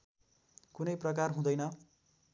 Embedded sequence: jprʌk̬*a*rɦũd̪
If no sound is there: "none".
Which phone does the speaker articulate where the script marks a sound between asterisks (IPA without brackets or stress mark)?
a